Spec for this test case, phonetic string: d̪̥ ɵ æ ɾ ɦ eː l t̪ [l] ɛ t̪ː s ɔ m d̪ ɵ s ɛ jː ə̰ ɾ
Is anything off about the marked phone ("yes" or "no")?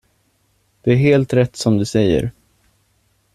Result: yes